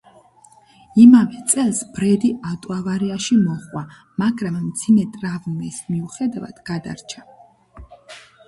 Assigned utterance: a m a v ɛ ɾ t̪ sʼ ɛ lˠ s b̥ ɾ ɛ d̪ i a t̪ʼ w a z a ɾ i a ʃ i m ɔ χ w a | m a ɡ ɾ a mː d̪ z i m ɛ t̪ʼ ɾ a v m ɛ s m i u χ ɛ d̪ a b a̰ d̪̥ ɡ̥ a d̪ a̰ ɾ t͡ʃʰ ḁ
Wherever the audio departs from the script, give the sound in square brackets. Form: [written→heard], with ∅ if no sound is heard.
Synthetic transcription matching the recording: [a→i] m a v ɛ [ɾ→∅] t̪ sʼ ɛ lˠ s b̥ ɾ ɛ d̪ i a t̪ʼ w a [z→v] a ɾ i a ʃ i m ɔ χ w a | m a ɡ ɾ a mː d̪ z i m ɛ t̪ʼ ɾ a v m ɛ s m i u χ ɛ d̪ a [b→v] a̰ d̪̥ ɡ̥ a d̪ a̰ ɾ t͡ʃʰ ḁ